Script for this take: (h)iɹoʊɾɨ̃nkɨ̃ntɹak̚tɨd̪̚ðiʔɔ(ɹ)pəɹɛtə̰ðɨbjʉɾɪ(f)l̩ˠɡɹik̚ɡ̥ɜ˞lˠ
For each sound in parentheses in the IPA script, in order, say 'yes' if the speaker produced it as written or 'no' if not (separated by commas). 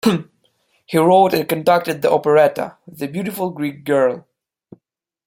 yes, no, yes